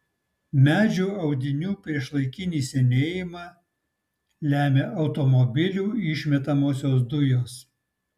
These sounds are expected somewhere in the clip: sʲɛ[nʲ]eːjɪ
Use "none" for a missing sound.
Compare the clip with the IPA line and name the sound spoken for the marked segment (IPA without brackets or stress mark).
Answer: nʲ